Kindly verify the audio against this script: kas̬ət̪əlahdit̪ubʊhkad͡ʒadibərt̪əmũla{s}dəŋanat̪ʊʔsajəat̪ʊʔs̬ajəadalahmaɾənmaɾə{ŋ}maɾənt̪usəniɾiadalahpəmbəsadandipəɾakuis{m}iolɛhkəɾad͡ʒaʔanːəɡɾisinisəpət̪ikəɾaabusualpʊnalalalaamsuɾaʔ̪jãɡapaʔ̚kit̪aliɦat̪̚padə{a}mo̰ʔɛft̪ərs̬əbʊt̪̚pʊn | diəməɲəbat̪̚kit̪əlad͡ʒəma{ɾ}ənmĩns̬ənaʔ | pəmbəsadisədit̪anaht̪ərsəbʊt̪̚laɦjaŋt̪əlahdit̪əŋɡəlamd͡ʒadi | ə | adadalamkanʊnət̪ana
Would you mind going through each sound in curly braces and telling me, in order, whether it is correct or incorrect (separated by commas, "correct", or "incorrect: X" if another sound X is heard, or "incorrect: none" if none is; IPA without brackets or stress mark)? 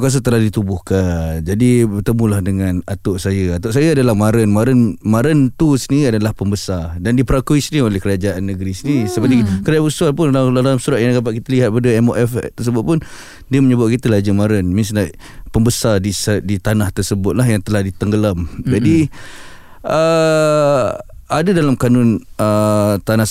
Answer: incorrect: h, incorrect: n, incorrect: n, incorrect: ɛ, correct